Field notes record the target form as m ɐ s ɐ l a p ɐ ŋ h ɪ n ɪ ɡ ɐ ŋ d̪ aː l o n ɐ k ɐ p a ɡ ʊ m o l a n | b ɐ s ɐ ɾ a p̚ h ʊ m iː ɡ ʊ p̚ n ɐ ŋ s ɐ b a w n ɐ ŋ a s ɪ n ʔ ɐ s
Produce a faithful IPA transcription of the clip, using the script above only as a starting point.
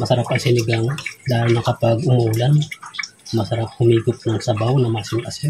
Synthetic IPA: m ɐ s ɐ ɾ a p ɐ ŋ s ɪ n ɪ ɡ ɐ ŋ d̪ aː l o n ɐ k ɐ p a ɡ ʊ m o l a n | m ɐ s ɐ ɾ a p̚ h ʊ m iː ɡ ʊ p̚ n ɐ ŋ s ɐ b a w n ɐ m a s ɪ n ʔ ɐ s